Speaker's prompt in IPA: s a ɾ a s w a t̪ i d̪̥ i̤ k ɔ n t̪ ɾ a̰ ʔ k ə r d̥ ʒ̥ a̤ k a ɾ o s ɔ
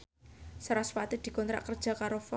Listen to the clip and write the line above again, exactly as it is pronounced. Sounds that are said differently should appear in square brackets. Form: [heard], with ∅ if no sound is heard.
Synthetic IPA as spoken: s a ɾ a s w a t̪ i d̪̥ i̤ k ɔ n t̪ ɾ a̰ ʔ k ə r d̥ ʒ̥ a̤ k a ɾ o [f] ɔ